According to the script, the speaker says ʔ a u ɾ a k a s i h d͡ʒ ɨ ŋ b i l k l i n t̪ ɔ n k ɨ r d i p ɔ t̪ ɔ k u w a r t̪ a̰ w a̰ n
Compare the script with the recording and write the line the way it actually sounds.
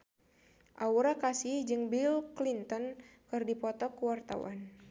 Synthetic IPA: ʔ a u ɾ a k a s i h d͡ʒ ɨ ŋ b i l k l i n t̪ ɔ n k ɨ r d i p ɔ t̪ ɔ k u w a r t̪ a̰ w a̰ n